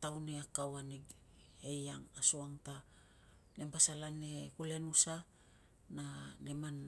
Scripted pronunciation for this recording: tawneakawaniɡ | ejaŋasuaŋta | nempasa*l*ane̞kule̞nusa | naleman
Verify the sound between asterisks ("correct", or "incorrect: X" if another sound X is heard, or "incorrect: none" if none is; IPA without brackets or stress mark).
correct